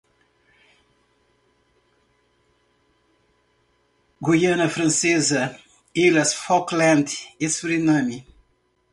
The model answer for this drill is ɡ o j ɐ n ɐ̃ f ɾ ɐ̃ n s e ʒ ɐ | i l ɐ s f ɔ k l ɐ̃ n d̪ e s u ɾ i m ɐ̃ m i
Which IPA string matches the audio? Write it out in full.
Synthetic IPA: ɡ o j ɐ n ɐ f ɾ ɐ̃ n s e z ɐ | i l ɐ s f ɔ k l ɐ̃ n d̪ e s u ɾ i n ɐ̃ m i